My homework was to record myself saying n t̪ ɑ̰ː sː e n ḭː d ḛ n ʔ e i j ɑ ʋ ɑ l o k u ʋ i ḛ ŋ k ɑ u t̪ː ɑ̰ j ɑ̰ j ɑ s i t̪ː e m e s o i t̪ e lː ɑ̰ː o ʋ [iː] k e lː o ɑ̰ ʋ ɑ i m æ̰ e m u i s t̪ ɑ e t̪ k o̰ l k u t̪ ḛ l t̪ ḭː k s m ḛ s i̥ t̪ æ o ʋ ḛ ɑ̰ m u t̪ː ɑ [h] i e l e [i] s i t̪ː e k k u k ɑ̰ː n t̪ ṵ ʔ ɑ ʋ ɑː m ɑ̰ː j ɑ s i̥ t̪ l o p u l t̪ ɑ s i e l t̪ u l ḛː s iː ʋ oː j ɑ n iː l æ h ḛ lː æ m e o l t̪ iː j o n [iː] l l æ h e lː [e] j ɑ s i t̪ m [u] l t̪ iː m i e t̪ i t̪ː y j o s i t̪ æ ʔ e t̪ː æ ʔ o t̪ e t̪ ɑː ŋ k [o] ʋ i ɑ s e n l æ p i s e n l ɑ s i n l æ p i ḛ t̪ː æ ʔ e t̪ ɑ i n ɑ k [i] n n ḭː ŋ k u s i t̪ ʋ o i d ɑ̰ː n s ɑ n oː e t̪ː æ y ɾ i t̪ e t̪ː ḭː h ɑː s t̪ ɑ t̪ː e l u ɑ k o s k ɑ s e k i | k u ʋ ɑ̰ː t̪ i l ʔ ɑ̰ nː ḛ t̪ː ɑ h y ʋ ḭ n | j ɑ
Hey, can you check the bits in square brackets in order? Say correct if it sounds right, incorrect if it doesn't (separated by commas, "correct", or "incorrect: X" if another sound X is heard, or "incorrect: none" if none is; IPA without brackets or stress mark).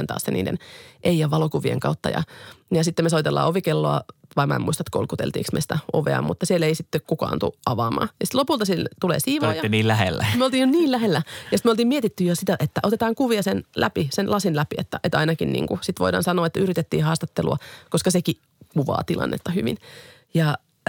incorrect: i, incorrect: s, correct, correct, incorrect: æ, incorrect: o, incorrect: u, correct